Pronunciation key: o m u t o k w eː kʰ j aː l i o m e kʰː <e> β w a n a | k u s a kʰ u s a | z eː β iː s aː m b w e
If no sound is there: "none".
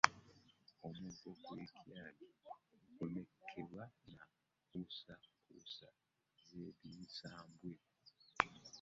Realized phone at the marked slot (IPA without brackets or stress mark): e